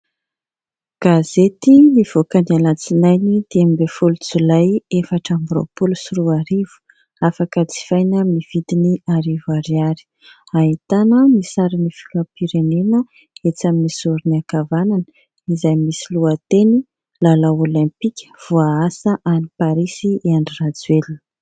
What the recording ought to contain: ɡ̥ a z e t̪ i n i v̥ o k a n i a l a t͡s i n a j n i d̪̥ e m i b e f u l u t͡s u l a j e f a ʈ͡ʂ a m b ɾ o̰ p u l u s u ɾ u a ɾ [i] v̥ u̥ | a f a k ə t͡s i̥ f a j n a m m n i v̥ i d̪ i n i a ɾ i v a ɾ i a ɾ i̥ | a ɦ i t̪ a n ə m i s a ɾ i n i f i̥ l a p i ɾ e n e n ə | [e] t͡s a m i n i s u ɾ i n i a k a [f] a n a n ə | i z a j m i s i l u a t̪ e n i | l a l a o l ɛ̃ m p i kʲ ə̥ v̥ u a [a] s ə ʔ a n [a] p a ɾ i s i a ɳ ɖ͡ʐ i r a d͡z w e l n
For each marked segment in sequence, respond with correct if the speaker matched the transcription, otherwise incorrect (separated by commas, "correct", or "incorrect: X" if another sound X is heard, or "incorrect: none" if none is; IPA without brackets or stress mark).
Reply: correct, correct, incorrect: v, correct, incorrect: i